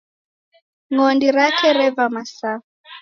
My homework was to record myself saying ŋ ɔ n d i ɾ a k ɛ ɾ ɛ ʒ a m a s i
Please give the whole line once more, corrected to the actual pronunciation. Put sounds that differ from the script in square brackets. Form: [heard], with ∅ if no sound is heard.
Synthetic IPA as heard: ŋ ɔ n d i ɾ a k ɛ ɾ ɛ [v] a m a s [a]